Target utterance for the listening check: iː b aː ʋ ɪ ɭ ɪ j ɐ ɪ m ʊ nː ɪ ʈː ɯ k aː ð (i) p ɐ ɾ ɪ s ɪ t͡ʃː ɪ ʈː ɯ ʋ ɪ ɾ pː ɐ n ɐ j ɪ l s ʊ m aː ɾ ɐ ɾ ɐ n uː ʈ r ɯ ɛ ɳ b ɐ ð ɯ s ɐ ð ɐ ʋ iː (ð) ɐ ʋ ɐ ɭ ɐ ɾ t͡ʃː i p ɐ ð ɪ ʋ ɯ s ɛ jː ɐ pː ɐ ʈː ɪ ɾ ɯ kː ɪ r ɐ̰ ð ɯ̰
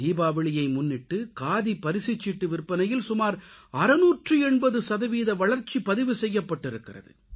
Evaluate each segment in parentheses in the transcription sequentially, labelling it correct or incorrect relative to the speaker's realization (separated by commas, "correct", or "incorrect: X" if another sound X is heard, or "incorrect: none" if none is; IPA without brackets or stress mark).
correct, correct